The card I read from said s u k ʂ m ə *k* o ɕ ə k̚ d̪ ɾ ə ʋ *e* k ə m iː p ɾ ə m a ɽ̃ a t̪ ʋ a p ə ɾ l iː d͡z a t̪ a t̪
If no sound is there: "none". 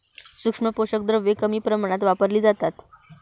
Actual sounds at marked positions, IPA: p, e

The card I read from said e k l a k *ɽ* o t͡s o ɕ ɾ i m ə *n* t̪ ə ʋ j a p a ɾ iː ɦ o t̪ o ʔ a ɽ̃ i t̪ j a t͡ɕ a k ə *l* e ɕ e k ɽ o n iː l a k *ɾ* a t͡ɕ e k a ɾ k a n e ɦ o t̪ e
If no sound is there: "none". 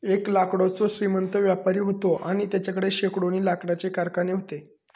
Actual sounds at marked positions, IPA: ɽ, n, ɽ, ɽ

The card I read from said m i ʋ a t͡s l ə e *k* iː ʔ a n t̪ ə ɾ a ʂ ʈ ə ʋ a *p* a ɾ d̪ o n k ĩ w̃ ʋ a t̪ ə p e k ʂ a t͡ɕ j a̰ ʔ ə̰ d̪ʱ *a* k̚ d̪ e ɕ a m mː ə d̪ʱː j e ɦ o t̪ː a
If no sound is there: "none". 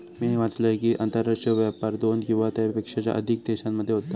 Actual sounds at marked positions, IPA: k, p, i

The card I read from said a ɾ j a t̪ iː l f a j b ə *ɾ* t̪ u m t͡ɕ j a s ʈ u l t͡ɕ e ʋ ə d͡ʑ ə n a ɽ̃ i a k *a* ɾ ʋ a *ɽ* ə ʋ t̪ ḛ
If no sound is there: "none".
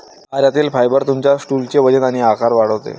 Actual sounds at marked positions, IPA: ɾ, a, ɽ

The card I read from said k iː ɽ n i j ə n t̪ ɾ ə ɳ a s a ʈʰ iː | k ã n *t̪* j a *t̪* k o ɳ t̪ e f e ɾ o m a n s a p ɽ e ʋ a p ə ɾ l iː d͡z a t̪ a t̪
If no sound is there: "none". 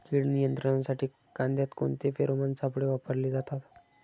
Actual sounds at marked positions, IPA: d̪, t̪

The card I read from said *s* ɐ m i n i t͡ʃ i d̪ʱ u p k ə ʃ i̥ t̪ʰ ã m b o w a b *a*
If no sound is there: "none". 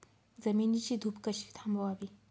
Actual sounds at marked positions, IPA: z, i

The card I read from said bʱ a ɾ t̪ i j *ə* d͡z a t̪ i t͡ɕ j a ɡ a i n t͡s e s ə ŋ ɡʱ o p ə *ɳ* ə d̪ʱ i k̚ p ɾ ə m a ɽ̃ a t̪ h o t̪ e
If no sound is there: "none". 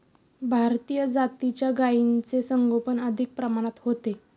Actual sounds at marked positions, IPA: ə, n

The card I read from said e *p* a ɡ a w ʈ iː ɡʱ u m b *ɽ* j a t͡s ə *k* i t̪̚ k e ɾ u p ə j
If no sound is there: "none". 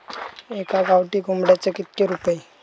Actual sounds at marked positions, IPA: k, ɽ, k

